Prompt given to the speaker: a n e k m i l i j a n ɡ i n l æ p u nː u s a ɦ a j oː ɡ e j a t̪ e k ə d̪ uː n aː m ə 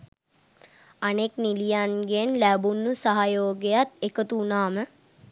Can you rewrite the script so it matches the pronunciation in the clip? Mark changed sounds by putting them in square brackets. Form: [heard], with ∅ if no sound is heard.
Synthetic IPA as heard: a n e k [n] i l i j a n ɡ [e] n l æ [b] u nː u s a ɦ a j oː ɡ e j a t̪ e k ə [t̪] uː n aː m ə